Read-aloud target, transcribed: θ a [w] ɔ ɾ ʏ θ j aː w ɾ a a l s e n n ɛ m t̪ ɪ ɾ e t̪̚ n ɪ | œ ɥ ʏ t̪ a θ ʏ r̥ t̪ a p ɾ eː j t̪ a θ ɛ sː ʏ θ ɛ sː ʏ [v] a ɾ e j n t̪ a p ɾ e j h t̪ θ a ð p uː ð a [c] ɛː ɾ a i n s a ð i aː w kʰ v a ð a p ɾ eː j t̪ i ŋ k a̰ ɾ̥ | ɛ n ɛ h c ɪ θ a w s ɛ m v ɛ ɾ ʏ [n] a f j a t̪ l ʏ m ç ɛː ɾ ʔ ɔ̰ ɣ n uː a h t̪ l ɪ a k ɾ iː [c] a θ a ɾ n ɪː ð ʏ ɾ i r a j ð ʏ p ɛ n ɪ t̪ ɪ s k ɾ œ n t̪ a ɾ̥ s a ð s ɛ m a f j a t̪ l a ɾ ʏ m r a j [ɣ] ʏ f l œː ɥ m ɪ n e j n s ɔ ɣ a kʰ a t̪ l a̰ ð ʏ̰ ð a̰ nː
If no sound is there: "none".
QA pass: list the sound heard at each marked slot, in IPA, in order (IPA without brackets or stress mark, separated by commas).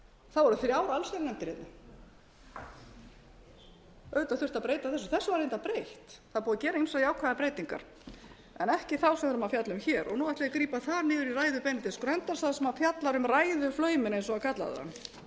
v, v, c, m, p, ð